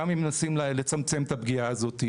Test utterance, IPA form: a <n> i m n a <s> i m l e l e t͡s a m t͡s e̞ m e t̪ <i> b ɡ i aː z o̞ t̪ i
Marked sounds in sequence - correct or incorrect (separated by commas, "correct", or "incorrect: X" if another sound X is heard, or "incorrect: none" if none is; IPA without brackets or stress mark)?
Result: incorrect: m, correct, incorrect: a